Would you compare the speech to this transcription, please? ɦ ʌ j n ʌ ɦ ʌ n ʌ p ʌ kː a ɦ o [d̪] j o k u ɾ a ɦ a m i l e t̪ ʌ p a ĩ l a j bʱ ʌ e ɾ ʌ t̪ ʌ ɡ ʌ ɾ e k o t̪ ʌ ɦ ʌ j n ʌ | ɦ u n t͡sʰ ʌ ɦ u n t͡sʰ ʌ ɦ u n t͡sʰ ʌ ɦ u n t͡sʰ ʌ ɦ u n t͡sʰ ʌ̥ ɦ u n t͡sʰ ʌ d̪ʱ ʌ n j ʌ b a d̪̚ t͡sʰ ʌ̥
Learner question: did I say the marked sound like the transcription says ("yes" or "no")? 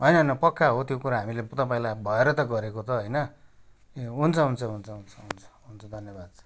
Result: no